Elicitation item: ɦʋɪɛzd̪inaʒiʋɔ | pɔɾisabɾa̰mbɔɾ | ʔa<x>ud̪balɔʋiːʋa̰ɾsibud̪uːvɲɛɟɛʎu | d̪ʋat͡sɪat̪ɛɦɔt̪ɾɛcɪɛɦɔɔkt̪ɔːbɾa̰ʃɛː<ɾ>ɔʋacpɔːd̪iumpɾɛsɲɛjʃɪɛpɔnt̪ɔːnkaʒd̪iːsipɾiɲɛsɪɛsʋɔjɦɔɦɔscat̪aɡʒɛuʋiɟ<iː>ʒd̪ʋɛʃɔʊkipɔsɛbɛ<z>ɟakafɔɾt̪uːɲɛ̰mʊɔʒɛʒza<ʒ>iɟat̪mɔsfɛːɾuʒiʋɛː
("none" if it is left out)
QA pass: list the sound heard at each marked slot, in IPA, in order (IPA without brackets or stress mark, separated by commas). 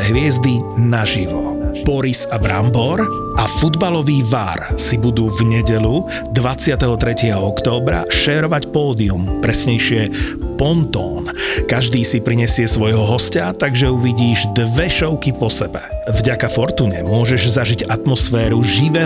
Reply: f, ɾ, iː, v, ʒ